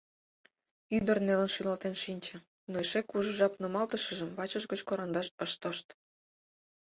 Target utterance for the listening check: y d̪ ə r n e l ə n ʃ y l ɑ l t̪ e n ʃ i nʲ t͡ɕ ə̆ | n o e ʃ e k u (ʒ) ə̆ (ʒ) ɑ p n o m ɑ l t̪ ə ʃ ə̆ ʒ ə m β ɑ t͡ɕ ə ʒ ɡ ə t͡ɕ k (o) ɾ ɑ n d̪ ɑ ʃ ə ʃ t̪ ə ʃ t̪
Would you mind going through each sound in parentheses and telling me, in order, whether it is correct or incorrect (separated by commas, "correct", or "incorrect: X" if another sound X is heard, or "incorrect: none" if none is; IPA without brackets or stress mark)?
correct, correct, correct